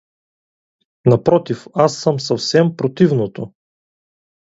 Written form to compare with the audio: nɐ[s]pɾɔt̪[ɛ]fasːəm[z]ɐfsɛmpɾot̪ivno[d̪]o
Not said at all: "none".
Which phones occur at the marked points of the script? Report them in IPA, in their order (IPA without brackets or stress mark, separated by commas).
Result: none, i, s, t̪